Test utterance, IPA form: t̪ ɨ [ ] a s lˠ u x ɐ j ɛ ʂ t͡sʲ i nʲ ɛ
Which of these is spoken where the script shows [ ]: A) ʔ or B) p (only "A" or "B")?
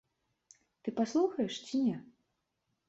B